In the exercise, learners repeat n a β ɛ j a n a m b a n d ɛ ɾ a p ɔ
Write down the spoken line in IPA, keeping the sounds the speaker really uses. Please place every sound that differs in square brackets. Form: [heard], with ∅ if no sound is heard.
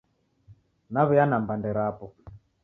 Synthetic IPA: n a β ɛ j a n a m b a n d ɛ ɾ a p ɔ

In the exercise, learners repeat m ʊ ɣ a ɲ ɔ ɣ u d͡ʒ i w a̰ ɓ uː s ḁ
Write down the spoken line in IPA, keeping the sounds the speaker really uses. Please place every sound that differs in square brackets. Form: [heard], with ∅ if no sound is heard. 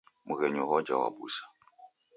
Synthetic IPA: m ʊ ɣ [ɛ] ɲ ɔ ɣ [ɔ] d͡ʒ [a] w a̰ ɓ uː s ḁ

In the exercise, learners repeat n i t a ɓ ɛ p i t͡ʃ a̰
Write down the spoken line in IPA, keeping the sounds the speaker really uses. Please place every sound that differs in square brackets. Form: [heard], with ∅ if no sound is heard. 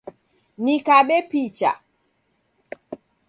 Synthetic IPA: n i [k] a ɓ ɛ p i t͡ʃ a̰

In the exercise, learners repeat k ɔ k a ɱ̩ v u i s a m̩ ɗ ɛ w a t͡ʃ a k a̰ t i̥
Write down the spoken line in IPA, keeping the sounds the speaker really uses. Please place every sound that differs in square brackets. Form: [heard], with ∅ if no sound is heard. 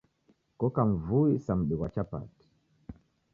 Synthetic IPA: k ɔ k a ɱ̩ v u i s a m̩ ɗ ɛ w a t͡ʃ a [p] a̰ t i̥

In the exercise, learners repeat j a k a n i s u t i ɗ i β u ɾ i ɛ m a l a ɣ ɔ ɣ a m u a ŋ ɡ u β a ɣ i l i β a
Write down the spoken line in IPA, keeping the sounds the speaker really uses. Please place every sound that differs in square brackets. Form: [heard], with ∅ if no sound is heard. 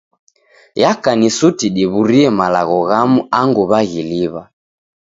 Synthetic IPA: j a k a n i s u t i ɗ i β u ɾ i ɛ m a l a ɣ ɔ ɣ a m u a ŋ ɡ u β a ɣ i l i β a

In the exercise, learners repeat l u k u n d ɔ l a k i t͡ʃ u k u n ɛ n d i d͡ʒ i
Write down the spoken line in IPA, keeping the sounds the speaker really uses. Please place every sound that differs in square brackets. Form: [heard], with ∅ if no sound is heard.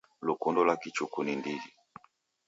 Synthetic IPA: l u k u n d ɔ l a k i t͡ʃ u k u n [i] n d i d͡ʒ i

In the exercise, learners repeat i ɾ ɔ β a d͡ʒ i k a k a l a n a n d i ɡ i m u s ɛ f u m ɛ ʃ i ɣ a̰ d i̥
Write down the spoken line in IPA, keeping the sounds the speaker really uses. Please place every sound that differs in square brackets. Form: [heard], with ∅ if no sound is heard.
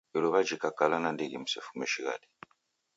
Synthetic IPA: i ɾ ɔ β a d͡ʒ i k a k a l a n a n d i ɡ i m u s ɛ f u m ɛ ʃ i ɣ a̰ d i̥

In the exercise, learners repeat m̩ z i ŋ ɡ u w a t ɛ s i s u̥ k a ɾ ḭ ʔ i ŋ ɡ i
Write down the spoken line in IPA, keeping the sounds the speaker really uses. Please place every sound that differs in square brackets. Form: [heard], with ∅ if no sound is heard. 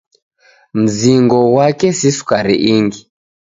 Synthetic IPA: m̩ z i ŋ ɡ [ɔ] w a [k] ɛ s i s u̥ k a ɾ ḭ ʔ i ŋ ɡ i

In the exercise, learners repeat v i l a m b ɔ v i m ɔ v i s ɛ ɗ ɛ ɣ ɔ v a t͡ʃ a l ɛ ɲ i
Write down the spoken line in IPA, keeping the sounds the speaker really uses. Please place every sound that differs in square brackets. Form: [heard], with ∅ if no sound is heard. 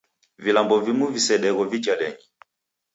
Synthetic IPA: v i l a m b ɔ v i m [u] v i s ɛ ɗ ɛ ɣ ɔ v [i] t͡ʃ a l ɛ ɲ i

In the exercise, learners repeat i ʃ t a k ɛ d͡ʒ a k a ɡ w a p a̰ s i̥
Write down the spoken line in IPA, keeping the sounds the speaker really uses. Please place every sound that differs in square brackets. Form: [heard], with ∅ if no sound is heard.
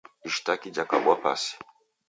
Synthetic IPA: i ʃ t a k [i] d͡ʒ a k a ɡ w a p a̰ s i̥

